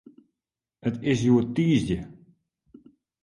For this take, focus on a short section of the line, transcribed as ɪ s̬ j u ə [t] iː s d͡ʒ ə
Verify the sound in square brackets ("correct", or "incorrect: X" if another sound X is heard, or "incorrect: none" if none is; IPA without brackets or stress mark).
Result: correct